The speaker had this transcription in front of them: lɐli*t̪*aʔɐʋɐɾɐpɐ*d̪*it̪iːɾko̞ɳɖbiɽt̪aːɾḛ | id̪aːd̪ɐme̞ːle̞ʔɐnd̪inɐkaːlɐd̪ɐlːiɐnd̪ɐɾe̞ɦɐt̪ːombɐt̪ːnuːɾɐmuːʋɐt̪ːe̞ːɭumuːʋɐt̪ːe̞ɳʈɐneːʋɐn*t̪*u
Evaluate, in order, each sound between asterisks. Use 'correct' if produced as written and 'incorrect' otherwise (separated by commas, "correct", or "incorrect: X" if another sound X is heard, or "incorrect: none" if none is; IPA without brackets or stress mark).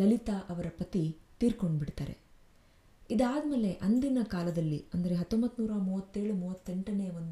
correct, incorrect: t̪, incorrect: d̪